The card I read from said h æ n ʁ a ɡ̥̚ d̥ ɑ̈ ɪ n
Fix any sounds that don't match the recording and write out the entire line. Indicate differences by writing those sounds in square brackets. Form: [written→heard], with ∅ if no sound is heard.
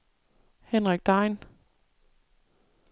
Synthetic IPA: h [æ→e] n ʁ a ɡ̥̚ d̥ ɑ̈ ɪ n